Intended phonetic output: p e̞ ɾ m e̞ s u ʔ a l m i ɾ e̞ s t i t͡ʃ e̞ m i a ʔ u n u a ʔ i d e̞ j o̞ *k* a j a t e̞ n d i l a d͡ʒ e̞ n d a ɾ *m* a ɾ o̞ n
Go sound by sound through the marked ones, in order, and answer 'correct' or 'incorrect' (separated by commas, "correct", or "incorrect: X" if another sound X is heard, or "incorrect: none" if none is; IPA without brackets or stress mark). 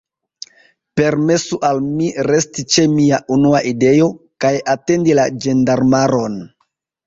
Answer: correct, correct